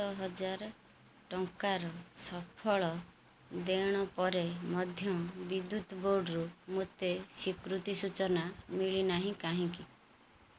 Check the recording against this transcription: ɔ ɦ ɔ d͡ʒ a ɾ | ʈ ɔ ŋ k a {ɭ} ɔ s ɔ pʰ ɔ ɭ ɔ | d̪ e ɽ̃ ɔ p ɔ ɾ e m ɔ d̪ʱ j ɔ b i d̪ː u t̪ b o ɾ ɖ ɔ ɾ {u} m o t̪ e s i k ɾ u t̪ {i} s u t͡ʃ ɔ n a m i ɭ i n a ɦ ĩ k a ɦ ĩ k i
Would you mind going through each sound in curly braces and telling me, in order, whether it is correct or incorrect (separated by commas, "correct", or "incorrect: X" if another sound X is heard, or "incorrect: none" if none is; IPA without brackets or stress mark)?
incorrect: ɾ, correct, correct